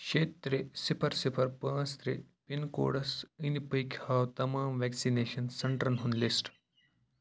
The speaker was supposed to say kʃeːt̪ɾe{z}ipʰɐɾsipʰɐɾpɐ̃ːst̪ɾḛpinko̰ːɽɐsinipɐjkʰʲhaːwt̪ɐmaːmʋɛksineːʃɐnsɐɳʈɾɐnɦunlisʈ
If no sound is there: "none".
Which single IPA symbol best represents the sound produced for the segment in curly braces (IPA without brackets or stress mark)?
s